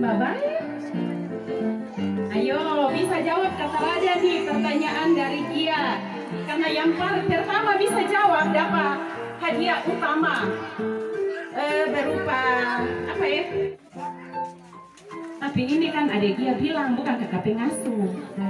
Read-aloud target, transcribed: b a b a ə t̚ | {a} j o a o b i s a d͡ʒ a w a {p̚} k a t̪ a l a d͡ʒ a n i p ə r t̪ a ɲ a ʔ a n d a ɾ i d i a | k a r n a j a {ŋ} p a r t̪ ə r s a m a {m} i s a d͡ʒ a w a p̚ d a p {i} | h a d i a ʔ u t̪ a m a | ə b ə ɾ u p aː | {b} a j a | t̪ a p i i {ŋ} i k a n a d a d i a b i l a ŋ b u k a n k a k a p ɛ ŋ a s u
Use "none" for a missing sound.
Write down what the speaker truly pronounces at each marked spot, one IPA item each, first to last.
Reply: a, p̚, ŋ, b, a, p, n

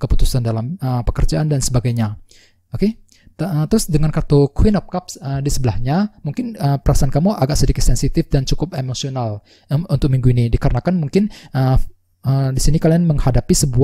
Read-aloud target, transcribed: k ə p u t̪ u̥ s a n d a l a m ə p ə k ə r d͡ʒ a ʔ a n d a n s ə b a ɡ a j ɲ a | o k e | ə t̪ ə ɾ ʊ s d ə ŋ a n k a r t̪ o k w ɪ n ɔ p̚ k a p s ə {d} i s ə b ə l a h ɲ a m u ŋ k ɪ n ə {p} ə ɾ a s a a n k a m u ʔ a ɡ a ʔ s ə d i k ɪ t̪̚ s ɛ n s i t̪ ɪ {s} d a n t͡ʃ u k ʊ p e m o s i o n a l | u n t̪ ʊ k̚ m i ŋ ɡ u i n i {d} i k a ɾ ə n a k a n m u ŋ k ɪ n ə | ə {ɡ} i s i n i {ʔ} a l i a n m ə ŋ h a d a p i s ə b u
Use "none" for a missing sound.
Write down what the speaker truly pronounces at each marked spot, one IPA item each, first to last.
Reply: d, p, f, d, d, k

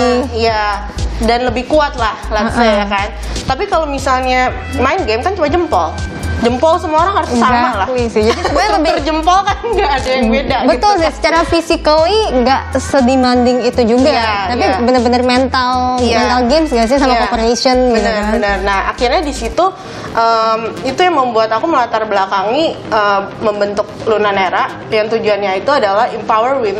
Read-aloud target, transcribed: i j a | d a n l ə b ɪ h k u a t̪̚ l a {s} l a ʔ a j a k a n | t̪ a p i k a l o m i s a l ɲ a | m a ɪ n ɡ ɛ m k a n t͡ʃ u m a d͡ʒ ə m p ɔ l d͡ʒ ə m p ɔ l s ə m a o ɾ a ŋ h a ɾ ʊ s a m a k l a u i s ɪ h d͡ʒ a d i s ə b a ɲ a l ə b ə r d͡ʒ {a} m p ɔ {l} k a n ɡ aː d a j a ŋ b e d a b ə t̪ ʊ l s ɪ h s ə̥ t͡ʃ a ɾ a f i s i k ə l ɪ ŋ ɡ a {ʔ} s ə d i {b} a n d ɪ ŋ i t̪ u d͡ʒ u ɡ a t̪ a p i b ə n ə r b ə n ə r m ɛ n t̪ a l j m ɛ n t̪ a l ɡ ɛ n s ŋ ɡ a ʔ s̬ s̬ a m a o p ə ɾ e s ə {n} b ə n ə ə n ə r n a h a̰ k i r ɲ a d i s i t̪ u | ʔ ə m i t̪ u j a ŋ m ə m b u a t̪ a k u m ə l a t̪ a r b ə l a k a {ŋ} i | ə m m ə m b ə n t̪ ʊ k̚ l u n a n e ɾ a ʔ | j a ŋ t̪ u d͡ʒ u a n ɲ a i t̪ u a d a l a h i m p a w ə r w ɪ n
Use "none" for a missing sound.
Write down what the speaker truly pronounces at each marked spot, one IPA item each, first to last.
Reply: h, ə, l, ʔ, m, n, ŋ

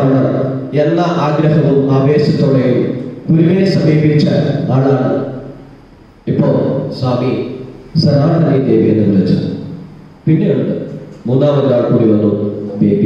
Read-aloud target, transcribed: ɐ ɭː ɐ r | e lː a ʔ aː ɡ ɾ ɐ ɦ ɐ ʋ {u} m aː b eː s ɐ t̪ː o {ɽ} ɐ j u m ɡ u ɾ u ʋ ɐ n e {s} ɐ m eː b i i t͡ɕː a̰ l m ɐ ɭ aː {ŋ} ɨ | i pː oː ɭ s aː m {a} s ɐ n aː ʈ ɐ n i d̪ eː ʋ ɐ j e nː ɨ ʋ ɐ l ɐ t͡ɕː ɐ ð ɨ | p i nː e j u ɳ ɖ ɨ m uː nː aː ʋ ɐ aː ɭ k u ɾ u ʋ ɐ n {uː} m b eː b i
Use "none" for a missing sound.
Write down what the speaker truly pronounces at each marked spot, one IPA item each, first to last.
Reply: u, ɽ, s, ɳ, i, u

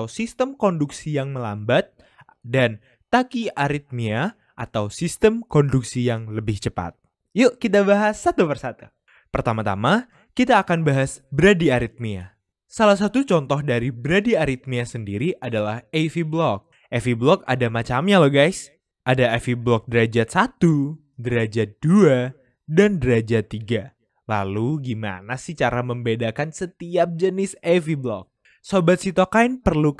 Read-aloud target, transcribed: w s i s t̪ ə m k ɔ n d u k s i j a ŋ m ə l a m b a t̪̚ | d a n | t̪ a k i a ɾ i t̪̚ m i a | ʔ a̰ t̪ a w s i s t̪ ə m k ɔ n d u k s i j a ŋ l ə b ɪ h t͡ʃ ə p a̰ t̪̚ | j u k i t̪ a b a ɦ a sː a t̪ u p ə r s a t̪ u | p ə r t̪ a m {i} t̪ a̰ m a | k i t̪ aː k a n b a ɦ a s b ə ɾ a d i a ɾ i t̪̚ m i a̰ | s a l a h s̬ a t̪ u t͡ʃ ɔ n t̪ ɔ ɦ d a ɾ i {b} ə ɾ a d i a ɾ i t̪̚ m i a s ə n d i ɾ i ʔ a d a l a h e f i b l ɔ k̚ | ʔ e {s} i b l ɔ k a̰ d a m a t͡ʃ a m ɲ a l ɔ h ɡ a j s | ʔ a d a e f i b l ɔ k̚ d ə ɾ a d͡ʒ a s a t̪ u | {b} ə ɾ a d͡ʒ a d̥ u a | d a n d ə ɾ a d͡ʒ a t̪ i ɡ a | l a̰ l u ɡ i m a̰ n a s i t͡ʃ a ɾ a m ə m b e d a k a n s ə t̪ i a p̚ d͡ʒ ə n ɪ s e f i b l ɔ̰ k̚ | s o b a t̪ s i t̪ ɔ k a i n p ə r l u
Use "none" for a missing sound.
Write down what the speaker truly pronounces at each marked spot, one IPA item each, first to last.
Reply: a, b, f, d

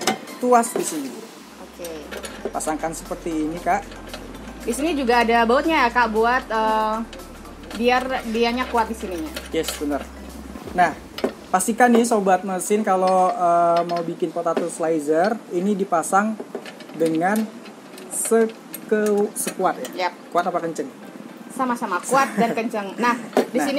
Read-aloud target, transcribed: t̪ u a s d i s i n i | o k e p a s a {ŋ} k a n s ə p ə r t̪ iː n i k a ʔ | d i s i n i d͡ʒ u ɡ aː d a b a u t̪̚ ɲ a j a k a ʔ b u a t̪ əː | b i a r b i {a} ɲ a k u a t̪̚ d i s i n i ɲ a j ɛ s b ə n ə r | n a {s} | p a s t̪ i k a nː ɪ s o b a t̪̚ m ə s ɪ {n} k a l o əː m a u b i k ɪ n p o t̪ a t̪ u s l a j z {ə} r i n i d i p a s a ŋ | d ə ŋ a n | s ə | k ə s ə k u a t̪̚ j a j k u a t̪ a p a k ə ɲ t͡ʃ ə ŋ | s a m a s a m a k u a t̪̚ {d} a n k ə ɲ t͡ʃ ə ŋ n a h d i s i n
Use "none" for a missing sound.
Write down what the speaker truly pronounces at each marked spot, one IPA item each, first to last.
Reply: ŋ, a, h, n, ə, d

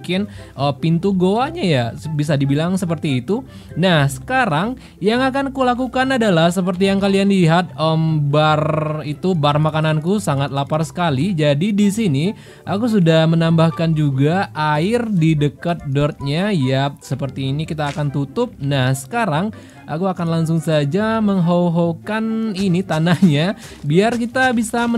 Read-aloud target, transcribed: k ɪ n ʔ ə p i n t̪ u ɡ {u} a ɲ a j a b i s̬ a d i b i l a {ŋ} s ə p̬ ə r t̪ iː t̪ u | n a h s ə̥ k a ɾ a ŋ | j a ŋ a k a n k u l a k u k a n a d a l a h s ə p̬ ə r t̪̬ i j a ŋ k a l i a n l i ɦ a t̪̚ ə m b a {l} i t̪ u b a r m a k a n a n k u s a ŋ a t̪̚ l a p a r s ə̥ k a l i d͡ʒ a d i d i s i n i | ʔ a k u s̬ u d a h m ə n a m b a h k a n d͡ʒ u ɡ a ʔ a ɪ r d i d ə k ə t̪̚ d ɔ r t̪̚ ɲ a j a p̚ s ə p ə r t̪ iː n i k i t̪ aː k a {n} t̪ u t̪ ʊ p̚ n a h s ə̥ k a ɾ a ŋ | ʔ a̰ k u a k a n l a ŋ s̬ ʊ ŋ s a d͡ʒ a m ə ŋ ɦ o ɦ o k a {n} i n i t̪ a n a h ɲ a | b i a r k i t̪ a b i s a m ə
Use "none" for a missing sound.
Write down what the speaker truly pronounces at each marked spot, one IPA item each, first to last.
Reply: o, ŋ, r, n, n

